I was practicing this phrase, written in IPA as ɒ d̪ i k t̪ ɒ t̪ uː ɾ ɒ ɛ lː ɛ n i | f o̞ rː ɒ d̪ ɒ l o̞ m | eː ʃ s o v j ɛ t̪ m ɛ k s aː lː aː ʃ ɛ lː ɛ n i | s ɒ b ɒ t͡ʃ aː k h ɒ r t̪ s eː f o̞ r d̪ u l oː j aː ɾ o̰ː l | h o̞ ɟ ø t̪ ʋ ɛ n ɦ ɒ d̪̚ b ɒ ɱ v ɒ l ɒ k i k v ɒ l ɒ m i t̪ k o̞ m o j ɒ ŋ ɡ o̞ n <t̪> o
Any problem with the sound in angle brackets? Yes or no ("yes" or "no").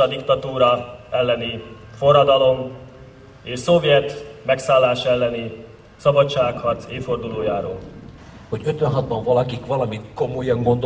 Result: yes